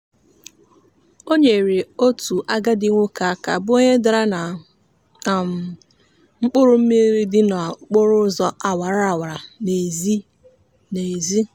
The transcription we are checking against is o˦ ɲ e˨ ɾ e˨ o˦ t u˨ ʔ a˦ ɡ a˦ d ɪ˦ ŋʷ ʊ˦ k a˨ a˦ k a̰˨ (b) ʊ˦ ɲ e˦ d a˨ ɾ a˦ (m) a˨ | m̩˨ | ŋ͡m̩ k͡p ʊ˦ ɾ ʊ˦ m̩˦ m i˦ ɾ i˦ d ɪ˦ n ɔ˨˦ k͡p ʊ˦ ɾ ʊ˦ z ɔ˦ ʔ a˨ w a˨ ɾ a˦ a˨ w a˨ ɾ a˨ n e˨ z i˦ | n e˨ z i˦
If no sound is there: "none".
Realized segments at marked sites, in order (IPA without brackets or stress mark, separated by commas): b, n